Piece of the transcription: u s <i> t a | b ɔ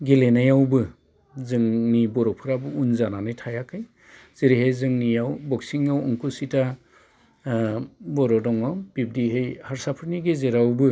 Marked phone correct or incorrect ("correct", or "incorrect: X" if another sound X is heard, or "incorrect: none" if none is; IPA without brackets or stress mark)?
correct